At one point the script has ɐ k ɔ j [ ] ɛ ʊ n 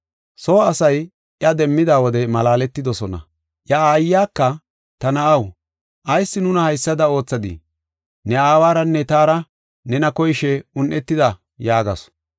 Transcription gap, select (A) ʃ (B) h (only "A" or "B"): A